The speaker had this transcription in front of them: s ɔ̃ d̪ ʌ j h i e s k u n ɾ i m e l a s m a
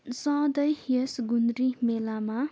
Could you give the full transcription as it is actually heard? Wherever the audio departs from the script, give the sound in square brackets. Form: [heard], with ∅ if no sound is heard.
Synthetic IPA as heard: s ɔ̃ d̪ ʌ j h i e s [ɡ] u n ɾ i m e l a [∅] m a